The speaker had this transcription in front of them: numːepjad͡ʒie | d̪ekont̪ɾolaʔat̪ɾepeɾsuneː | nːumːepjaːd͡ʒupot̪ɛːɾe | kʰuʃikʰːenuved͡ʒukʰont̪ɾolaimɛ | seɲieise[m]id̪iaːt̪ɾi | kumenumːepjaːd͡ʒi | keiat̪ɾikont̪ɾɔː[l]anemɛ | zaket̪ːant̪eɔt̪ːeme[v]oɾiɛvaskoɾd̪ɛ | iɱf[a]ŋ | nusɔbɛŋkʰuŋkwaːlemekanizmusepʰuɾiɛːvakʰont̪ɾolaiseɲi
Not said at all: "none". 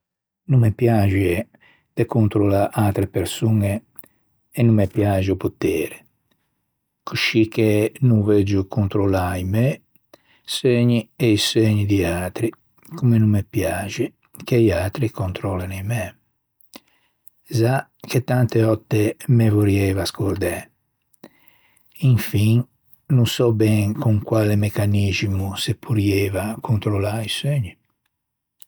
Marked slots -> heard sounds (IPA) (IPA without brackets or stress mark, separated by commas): ɲ, l, v, i